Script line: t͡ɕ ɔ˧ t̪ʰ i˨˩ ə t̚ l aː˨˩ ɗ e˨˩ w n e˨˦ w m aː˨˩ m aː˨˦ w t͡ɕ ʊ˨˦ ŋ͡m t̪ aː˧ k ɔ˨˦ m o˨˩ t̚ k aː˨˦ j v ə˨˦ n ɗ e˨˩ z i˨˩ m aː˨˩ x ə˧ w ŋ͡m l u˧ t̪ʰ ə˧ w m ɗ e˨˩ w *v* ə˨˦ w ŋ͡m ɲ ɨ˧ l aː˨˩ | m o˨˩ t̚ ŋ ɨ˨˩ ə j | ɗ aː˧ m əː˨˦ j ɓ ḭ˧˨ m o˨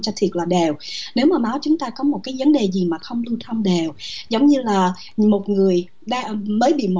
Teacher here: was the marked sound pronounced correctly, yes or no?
no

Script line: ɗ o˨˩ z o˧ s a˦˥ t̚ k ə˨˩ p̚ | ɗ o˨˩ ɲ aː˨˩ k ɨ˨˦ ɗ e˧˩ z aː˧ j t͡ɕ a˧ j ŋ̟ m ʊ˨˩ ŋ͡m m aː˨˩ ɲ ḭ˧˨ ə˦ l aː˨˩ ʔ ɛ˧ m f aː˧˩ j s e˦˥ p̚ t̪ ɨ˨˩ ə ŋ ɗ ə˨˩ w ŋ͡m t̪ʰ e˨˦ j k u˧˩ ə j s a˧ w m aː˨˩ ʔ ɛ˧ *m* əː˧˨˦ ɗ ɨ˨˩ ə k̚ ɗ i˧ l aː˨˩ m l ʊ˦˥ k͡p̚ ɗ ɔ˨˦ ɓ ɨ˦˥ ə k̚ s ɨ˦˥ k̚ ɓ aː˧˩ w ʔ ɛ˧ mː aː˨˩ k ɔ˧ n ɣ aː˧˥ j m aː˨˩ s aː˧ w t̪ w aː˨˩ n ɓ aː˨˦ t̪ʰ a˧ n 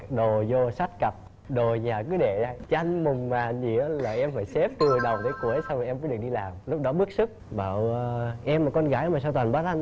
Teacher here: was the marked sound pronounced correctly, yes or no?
yes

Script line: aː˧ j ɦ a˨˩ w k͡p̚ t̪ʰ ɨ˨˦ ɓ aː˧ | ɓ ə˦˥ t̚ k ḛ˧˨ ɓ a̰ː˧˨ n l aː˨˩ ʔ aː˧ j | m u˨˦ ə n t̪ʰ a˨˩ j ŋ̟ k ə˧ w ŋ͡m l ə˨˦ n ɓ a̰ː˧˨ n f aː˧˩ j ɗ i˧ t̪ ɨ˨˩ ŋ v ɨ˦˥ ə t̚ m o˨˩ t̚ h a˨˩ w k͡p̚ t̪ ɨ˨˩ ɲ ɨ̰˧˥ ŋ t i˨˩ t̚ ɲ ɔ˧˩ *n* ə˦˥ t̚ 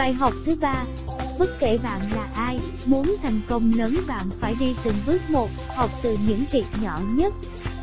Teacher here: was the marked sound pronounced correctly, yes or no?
no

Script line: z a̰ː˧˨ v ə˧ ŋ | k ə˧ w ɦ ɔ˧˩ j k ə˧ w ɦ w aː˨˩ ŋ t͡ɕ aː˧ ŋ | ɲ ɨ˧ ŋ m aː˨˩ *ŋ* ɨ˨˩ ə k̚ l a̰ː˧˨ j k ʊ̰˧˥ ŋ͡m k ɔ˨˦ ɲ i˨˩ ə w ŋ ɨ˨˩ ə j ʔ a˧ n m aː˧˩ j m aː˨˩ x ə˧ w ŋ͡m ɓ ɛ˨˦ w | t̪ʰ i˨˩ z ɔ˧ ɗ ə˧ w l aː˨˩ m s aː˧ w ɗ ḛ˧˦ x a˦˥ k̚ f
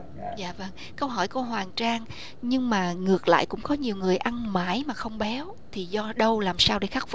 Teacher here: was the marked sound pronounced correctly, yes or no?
yes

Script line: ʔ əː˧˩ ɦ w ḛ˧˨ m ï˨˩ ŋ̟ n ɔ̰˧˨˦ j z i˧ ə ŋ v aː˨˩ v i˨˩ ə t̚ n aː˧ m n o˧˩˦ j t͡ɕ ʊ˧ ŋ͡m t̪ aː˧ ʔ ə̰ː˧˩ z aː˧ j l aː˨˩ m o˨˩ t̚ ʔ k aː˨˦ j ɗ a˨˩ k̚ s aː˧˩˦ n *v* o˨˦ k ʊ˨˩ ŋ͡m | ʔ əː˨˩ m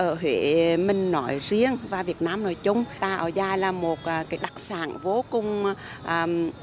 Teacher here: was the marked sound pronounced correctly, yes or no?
yes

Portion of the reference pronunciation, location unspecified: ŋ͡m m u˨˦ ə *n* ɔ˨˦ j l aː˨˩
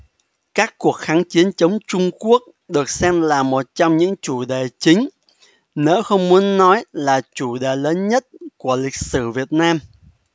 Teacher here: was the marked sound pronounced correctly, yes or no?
no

